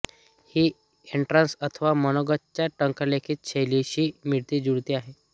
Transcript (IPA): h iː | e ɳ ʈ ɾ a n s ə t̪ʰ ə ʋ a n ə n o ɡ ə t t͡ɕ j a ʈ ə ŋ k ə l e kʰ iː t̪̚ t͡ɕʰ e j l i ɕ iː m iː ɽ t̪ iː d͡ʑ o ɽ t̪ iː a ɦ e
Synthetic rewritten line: h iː | e ɳ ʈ ɾ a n s ə t̪ʰ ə ʋ a m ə n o ɡ ə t t͡ɕ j a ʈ ə ŋ k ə l e kʰ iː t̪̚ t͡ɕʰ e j l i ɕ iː m i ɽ t̪ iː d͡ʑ u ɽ t̪ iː a ɦ e